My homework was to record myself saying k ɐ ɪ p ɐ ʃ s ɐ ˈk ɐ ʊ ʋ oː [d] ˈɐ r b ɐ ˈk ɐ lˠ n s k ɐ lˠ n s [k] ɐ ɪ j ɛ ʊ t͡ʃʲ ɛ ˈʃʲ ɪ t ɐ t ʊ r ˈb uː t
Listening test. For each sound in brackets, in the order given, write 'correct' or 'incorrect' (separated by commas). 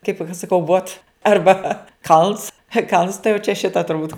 incorrect, incorrect